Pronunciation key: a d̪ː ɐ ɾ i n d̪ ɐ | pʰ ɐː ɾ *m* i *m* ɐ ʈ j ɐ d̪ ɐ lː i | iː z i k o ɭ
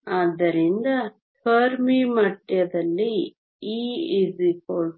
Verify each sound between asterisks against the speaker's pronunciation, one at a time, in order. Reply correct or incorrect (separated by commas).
correct, correct